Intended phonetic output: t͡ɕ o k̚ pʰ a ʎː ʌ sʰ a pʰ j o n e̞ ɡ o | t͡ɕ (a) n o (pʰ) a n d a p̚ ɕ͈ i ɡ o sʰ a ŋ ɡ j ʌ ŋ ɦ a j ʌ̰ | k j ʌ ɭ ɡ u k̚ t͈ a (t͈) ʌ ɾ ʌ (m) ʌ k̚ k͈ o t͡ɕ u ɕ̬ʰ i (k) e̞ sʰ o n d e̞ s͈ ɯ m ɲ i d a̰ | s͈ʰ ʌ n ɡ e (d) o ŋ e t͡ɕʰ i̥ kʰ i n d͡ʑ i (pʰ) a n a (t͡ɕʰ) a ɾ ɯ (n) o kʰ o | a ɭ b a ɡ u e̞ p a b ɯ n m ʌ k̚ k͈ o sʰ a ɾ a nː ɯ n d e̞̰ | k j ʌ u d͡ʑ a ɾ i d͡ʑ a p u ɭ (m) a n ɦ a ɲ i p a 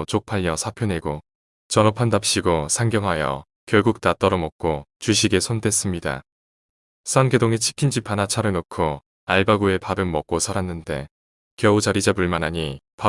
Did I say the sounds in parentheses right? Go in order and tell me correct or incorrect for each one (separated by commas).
incorrect, correct, correct, correct, incorrect, correct, correct, correct, correct, correct